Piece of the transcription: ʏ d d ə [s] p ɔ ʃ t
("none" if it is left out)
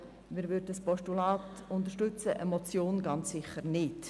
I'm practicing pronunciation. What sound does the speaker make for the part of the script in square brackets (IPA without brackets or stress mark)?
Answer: s